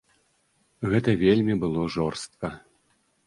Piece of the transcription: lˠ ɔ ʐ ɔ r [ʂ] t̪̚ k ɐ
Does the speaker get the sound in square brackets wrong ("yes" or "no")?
yes